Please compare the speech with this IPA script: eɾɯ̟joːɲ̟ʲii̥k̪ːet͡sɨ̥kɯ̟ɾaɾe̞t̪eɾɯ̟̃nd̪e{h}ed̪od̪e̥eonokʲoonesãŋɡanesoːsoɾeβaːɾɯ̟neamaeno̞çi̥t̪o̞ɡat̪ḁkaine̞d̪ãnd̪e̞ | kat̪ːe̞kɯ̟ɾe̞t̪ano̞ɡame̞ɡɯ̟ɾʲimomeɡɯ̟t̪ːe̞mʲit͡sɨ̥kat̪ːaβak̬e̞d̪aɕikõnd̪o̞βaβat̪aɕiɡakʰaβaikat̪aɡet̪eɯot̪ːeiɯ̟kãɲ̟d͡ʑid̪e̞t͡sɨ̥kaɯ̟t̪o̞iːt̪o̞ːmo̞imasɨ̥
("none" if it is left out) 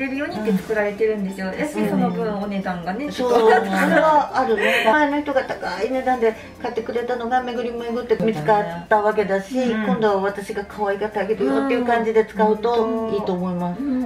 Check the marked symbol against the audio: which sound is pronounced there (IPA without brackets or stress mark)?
s